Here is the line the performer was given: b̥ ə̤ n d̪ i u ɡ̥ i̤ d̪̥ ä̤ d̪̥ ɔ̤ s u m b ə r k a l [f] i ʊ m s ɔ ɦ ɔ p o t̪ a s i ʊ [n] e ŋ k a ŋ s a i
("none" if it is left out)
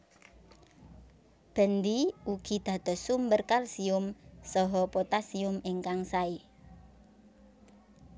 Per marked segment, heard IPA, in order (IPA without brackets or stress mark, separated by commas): s, m